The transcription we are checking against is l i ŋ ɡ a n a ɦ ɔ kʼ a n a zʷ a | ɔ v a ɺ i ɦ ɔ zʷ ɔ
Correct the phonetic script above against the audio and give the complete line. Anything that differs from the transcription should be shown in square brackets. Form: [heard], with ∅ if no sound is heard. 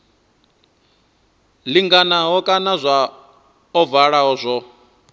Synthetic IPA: l i ŋ ɡ a n a ɦ ɔ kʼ a n a zʷ a | ɔ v a ɺ [a] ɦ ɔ zʷ ɔ